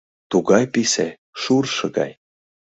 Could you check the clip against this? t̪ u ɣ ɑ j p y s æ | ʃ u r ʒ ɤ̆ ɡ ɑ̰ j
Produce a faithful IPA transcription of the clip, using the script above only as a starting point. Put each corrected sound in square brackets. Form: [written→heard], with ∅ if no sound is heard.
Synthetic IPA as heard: t̪ u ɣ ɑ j p [y→i] s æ | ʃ u r [ʒ→ʃ] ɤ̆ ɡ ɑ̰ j